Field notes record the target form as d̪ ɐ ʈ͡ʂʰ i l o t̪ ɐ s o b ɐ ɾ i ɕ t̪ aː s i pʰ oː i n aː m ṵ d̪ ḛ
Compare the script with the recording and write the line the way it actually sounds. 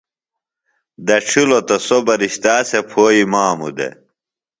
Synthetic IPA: d̪ ɐ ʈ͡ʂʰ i l o t̪ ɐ s o b ɐ ɾ i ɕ t̪ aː s e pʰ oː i m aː m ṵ d̪ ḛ